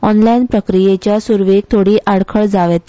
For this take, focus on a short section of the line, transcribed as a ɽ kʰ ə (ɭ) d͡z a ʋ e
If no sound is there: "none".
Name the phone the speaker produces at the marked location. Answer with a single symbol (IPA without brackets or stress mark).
ɭ